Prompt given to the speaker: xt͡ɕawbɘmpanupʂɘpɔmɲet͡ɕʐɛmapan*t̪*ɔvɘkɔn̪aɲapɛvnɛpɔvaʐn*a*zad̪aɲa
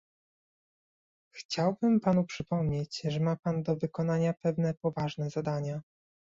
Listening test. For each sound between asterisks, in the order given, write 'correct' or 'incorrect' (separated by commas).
incorrect, incorrect